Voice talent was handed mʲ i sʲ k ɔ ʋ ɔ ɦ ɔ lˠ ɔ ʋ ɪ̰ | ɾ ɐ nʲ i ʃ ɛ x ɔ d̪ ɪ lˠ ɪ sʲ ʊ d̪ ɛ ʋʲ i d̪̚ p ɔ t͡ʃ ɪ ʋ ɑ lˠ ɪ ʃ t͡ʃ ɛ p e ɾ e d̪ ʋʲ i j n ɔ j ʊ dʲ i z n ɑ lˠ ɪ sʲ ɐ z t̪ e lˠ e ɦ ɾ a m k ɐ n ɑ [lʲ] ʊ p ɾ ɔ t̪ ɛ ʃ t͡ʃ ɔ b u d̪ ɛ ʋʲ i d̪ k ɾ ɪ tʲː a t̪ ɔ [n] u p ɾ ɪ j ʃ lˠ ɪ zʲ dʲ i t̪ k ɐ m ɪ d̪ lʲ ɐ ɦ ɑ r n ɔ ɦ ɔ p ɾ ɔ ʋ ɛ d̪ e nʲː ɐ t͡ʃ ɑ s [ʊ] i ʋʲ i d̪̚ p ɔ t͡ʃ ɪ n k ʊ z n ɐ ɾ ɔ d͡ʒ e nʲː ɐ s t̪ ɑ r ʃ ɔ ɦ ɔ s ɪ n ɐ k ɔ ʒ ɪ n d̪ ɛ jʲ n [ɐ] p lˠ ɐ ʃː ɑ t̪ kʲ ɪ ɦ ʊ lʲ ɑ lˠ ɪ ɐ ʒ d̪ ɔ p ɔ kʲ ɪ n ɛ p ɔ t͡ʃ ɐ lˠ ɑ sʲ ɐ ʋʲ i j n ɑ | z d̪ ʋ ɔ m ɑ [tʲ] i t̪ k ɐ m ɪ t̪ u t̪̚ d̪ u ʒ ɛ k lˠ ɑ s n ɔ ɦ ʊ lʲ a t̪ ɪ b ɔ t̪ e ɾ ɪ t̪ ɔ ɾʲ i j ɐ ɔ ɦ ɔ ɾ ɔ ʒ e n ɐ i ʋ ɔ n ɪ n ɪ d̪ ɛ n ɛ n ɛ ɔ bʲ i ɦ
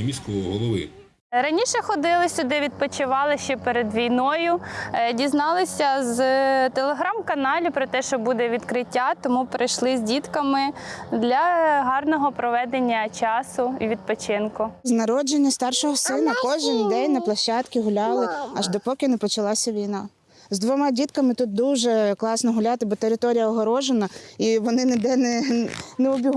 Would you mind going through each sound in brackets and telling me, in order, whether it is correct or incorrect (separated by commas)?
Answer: correct, incorrect, correct, correct, incorrect